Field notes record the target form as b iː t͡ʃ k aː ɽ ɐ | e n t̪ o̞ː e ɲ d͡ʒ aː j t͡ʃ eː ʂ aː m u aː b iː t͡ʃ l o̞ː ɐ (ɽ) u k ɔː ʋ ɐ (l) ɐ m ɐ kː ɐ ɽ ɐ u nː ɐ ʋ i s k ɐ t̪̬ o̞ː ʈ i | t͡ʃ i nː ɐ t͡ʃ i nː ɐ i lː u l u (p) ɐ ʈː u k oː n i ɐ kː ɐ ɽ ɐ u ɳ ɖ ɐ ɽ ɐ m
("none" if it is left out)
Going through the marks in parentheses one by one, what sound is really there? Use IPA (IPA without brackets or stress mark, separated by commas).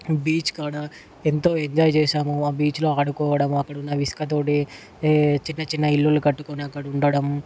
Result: ɽ, ɽ, k